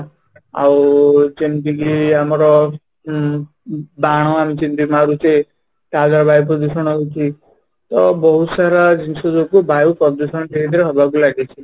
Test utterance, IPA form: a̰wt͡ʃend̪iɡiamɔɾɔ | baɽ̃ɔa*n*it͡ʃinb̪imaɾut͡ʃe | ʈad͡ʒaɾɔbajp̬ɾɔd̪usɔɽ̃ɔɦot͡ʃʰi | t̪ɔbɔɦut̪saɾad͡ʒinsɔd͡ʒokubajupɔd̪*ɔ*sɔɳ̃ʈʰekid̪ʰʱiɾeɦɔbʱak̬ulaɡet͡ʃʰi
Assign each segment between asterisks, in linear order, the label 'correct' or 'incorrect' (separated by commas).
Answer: incorrect, incorrect